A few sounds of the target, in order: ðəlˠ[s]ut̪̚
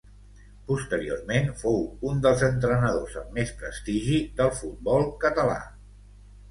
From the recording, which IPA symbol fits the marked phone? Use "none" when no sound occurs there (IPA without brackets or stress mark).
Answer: f